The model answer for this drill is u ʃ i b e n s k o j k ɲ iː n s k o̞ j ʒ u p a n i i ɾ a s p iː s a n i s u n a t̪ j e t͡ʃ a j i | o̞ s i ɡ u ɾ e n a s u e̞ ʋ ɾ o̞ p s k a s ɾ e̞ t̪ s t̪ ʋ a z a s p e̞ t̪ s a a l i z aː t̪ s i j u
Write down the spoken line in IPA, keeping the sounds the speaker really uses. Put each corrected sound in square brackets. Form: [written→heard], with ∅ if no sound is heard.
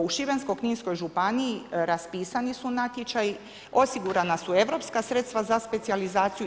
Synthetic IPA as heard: u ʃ i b e n s k o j k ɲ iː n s k o̞ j ʒ u p a n i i ɾ a s p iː s a n i s u n a t̪ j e t͡ʃ a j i | o̞ s i ɡ u ɾ [e→a] n a s u e̞ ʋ ɾ o̞ p s k a s ɾ e̞ t̪ s t̪ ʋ a z a s p e̞ t̪ s [a→i] a l i z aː t̪ s i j u